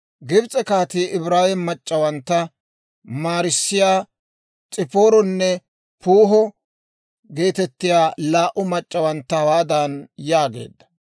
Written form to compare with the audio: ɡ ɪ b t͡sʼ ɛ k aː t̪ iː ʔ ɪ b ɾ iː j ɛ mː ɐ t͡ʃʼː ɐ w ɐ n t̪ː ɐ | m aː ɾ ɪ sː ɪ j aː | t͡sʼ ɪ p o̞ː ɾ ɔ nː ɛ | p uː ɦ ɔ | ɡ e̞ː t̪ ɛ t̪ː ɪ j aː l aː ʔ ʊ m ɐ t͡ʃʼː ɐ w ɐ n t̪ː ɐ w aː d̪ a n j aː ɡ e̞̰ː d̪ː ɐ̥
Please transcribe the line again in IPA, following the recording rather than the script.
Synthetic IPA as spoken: ɡ ɪ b t͡sʼ ɛ k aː t̪ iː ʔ ɪ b ɾ aː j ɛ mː ɐ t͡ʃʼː ɐ w ɐ n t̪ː ɐ | m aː ɾ ɪ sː ɪ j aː | t͡sʼ ɪ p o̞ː ɾ ɔ nː ɛ | p uː ɦ ɔ | ɡ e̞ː t̪ ɛ t̪ː ɪ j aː l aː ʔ ʊ m ɐ t͡ʃʼː ɐ w ɐ n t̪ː ɐ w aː d̪ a n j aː ɡ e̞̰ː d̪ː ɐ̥